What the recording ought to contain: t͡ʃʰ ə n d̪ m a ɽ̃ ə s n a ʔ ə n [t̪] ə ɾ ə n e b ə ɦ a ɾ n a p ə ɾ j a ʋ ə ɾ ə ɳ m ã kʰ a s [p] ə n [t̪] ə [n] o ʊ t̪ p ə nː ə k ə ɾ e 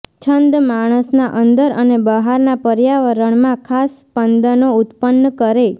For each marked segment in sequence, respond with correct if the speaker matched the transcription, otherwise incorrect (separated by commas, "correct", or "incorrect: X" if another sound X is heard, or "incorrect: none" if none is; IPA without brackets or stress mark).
incorrect: d̪, correct, incorrect: d̪, correct